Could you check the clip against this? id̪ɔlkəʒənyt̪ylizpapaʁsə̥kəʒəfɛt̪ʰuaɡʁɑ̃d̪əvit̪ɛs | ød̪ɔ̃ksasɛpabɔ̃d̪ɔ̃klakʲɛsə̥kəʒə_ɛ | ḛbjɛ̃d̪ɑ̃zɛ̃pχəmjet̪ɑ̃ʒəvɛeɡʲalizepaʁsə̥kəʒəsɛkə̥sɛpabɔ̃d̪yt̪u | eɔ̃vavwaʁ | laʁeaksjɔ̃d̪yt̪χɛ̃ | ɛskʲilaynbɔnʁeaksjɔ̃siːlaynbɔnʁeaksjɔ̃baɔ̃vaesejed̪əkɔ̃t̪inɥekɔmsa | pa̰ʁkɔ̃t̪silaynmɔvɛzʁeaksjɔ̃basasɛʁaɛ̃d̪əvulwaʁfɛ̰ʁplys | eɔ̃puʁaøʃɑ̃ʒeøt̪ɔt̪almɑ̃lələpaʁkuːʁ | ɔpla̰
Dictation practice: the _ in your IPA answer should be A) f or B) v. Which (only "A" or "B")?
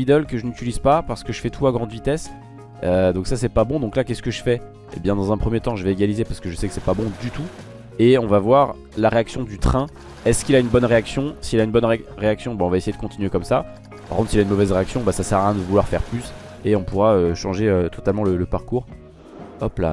A